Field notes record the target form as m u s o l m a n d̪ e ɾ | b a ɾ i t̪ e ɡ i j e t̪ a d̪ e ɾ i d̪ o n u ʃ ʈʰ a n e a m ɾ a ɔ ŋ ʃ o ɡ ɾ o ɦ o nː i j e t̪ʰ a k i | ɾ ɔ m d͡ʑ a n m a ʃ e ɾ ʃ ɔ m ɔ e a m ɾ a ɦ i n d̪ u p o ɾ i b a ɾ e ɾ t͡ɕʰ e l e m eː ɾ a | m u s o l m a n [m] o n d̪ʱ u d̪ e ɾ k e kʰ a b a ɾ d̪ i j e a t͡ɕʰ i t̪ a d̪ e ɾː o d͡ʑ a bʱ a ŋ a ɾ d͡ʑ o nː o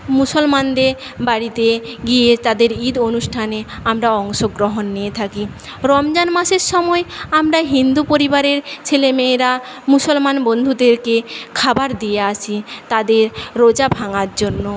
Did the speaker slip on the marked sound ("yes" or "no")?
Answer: yes